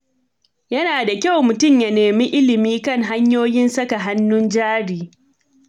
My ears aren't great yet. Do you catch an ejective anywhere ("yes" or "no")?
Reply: no